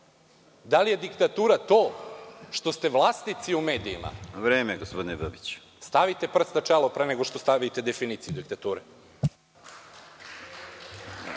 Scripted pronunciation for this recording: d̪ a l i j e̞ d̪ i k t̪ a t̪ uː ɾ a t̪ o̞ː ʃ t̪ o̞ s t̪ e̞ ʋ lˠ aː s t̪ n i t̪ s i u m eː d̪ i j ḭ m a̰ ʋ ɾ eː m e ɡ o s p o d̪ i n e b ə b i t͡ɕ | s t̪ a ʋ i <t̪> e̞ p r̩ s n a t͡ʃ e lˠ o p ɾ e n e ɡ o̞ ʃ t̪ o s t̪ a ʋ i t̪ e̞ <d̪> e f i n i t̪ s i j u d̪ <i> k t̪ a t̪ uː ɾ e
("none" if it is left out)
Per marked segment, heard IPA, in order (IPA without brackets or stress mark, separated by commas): t̪, d̪, i